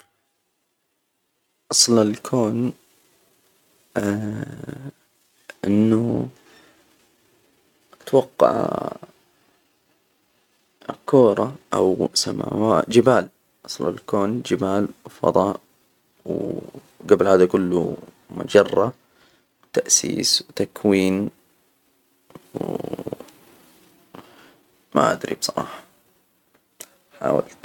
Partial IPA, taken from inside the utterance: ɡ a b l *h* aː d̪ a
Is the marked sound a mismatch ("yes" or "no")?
no